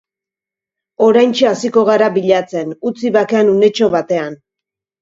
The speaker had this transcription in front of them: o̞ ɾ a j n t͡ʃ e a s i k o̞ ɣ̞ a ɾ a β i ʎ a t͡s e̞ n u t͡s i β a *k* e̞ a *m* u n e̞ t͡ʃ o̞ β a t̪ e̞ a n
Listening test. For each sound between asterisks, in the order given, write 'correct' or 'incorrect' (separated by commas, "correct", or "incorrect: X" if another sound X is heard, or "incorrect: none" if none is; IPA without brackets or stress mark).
correct, incorrect: n